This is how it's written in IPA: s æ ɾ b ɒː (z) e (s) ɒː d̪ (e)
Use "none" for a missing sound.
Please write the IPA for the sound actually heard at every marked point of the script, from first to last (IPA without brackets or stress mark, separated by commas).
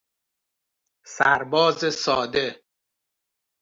z, s, e